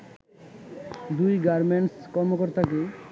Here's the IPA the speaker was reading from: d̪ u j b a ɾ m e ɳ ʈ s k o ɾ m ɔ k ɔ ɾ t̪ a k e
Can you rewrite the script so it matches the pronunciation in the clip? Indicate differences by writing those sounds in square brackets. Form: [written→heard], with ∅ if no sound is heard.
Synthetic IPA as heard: d̪ u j [b→ɡ] a ɾ m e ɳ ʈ s k [o→ɔ] ɾ m [ɔ→o] k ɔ ɾ t̪ a k e